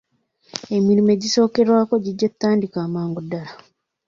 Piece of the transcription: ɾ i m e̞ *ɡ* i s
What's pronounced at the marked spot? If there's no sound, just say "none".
ɟ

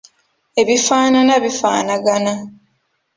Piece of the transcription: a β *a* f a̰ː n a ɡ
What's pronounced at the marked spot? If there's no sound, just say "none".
i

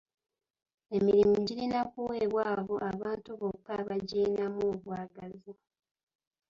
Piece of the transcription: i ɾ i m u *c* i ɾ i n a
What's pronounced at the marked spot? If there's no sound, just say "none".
ɟ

